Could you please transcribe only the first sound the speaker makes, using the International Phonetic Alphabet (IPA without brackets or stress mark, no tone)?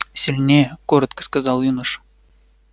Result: sʲ